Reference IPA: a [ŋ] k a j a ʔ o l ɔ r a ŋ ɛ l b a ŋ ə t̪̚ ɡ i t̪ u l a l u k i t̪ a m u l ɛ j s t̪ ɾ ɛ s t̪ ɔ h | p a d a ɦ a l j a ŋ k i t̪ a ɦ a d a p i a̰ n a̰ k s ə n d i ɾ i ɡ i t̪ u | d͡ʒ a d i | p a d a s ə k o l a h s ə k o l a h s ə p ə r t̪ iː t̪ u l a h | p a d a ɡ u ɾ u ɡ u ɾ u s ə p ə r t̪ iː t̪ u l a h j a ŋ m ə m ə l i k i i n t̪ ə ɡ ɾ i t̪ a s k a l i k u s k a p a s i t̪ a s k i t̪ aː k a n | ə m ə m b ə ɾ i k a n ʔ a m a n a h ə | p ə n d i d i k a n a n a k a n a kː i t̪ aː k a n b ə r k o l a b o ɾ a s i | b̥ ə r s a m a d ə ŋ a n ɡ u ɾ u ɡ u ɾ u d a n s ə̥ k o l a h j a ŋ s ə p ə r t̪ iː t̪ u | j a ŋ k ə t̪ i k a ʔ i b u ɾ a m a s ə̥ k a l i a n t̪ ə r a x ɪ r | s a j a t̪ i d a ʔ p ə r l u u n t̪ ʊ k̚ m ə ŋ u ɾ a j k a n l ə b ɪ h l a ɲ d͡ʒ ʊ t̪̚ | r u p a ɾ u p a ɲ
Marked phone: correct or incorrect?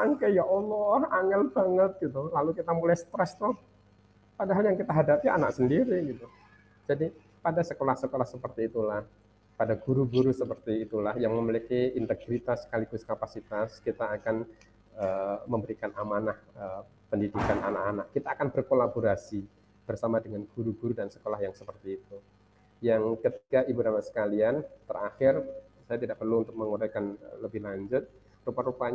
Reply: correct